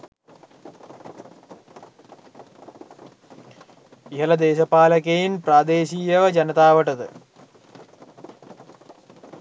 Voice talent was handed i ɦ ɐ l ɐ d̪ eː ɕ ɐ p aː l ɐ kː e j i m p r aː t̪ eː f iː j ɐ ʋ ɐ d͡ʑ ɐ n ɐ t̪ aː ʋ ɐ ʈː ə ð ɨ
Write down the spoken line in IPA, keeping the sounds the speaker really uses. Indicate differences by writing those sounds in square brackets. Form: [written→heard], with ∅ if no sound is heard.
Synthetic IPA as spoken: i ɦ ɐ l ɐ d̪ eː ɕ ɐ p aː l ɐ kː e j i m p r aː [t̪→d̪] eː [f→ɕ] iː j ɐ ʋ ɐ d͡ʑ ɐ n ɐ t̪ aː ʋ ɐ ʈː [ə→ɐ] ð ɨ